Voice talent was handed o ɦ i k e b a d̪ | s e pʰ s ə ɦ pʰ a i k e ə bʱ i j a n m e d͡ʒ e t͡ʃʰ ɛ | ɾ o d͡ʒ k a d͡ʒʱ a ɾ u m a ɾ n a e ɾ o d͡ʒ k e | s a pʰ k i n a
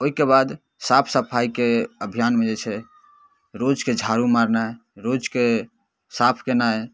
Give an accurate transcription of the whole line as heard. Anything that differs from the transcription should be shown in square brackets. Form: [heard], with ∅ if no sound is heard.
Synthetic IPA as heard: o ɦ i k e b a d̪ | s [a] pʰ s ə [∅] pʰ a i k e ə bʱ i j a n m e d͡ʒ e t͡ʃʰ ɛ | ɾ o d͡ʒ k [e] d͡ʒʱ a ɾ u m a ɾ n a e ɾ o d͡ʒ k e | s a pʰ k [e] n a

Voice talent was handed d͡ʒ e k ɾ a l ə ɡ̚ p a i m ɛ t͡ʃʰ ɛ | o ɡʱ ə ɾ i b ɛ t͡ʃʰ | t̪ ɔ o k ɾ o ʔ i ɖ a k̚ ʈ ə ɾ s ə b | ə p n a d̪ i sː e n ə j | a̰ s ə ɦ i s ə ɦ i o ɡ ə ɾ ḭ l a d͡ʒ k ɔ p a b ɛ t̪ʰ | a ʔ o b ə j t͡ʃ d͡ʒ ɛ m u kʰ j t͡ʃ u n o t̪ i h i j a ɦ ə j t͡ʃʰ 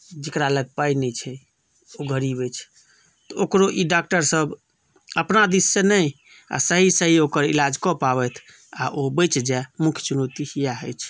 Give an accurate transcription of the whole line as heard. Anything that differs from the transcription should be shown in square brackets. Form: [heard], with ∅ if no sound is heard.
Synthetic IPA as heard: d͡ʒ e k ɾ a l ə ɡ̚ p a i [n] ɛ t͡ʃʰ ɛ | o ɡʱ ə ɾ i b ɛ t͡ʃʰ | t̪ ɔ o k ɾ o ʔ i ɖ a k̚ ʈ ə ɾ s ə b | ə p n a d̪ i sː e n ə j | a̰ s ə ɦ i s ə ɦ i o [k] ə ɾ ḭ l a d͡ʒ k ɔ p a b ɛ t̪ʰ | a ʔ o b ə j t͡ʃ d͡ʒ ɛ m u kʰ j t͡ʃ u n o t̪ i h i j a ɦ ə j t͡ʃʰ

